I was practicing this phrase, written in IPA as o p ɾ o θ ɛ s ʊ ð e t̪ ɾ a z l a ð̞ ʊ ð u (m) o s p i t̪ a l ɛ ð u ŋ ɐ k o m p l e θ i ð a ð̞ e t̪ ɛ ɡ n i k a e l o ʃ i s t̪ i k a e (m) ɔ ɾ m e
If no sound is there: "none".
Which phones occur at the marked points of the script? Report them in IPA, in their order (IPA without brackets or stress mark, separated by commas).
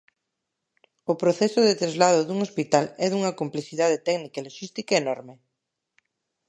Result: ŋ, n